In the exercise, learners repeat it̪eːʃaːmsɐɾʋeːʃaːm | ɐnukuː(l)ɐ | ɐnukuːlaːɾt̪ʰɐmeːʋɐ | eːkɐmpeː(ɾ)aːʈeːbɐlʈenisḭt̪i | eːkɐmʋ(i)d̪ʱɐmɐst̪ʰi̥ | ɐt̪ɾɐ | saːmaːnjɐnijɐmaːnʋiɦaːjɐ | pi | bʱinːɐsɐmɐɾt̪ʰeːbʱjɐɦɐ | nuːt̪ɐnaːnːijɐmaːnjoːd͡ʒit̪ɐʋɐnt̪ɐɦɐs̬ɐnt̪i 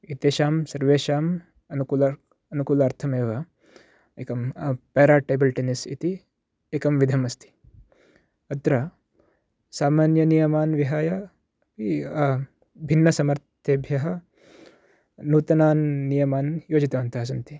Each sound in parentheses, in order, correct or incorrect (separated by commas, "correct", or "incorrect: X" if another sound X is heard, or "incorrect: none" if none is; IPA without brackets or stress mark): correct, correct, correct